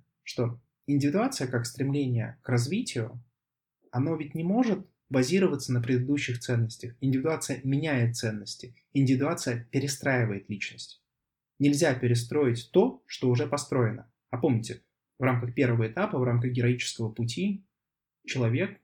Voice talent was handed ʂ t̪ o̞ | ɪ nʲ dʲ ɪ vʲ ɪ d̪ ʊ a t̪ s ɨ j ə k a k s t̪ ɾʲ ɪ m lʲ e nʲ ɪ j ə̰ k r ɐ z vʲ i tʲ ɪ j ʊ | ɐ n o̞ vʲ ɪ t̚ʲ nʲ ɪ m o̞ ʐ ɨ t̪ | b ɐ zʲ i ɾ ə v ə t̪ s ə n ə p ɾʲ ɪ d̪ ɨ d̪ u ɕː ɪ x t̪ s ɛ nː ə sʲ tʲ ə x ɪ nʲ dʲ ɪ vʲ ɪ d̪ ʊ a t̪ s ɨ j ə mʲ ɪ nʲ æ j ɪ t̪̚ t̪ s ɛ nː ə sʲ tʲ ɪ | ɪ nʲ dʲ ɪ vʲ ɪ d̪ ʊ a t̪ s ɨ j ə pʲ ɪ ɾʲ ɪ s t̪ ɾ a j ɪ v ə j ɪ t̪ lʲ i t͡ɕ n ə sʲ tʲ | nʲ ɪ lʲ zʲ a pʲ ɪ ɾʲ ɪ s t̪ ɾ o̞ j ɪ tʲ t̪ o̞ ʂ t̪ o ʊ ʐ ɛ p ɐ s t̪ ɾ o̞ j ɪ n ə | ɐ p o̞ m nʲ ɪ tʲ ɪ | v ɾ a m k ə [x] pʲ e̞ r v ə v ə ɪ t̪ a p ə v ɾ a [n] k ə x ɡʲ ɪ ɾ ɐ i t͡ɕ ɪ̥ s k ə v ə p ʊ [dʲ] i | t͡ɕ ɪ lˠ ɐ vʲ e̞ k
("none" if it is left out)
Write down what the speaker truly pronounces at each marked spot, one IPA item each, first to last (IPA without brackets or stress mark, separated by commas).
x, m, tʲ